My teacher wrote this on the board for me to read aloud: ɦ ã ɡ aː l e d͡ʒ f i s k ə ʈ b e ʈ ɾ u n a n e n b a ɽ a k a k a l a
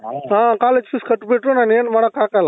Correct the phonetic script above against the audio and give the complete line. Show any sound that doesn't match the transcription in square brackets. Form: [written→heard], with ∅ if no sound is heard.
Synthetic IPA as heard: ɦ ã [ɡ→k] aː l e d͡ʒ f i s k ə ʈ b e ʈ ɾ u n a n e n [b→m] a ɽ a k a k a l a